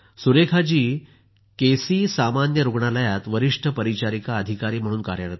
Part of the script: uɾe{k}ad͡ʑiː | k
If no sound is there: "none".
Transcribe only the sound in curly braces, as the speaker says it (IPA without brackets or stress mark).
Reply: kʰ